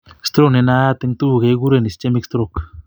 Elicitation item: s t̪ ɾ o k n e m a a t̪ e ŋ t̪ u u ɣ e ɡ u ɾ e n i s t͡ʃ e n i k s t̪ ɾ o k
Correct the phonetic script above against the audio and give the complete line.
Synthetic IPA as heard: s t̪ ɾ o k n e n a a t̪ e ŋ t̪ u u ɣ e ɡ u ɾ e n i s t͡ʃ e m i k s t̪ ɾ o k

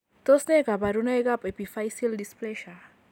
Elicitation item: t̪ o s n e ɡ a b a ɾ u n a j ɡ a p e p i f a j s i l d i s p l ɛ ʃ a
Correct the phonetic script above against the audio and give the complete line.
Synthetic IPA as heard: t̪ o s n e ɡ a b a ɾ u n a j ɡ a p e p i f a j s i l d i s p l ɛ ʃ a

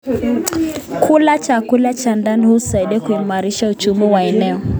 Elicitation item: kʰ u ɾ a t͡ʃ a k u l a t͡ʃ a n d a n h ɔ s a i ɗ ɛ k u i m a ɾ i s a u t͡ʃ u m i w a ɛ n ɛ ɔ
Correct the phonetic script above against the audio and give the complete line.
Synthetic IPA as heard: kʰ u l a t͡ʃ a k u l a t͡ʃ a n d a n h u s a i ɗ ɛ k u i m a ɾ i ʃ a u t͡ʃ u m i w a ɛ n ɛ ɔ

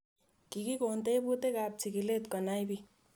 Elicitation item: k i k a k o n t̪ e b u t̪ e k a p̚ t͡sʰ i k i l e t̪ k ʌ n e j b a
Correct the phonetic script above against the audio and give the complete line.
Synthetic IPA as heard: k i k i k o n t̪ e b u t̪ e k a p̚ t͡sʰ i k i l e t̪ k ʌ n a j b i

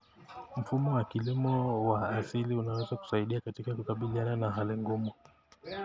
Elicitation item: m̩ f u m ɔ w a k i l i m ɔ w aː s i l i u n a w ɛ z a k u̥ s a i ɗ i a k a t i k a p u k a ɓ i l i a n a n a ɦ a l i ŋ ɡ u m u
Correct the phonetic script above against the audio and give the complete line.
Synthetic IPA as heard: m̩ f u m ɔ w a k i l i m ɔ w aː s i l i u n a w ɛ z a k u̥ s a i ɗ i a k a t i k a k u k a ɓ i l i a n a n a ɦ a l i ŋ ɡ u m u

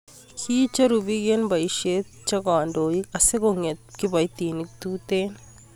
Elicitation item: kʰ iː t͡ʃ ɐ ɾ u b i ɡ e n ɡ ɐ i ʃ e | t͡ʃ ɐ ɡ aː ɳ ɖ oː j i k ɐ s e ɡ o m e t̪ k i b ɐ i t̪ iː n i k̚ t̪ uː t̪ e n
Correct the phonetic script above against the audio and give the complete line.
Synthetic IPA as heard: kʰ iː t͡ʃ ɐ ɾ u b i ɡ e n b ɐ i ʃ e | t͡ʃ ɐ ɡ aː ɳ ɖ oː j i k ɐ s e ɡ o ŋ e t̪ k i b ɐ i t̪ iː n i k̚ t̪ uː t̪ e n

